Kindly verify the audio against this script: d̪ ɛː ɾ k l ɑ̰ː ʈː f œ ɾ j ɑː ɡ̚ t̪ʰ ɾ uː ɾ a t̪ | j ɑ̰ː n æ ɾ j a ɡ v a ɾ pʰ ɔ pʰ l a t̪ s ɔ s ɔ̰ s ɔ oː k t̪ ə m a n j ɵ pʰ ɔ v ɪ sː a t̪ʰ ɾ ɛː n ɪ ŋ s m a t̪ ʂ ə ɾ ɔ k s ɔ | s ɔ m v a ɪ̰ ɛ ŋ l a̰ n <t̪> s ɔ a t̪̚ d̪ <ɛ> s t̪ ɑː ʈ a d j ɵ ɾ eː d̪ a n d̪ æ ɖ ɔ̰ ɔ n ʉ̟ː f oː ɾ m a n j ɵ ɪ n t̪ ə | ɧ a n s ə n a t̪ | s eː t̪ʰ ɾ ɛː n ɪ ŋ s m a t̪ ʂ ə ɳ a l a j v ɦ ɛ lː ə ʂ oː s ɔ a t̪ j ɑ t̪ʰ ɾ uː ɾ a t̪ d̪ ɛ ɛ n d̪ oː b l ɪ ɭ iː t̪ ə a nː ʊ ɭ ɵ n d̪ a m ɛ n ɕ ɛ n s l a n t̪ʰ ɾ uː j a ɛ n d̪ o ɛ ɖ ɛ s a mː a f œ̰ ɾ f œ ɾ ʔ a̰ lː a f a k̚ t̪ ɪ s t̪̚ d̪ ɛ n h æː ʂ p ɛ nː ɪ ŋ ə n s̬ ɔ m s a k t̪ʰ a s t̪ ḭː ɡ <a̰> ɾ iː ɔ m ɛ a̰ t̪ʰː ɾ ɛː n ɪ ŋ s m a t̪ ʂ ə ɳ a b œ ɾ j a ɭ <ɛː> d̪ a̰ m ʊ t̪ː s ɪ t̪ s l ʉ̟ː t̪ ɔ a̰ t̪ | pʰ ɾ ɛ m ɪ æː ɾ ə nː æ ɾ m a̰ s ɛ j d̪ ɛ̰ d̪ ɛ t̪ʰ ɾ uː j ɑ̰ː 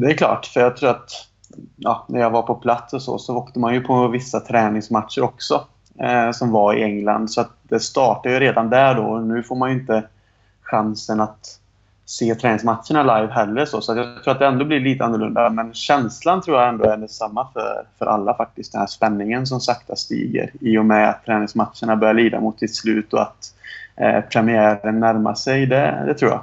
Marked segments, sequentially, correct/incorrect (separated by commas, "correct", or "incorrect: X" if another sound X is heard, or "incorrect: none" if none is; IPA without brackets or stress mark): incorrect: d̪, correct, incorrect: ə̰, incorrect: iː